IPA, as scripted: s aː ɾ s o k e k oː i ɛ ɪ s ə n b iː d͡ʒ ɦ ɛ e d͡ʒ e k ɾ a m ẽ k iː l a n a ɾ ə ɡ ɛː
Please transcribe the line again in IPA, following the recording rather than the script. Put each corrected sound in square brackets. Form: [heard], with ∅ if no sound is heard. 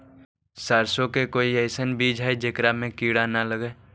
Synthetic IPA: s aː ɾ s o k e k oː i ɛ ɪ s ə n b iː d͡ʒ ɦ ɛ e d͡ʒ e k ɾ a m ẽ k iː [ɽ] a n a [l] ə ɡ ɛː